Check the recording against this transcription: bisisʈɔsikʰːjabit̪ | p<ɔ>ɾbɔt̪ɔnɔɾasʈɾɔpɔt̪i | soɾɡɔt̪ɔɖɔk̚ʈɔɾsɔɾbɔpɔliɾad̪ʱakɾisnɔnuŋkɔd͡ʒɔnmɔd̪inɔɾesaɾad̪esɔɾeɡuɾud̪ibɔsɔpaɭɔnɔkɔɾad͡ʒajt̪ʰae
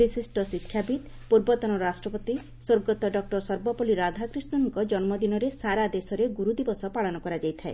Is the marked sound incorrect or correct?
incorrect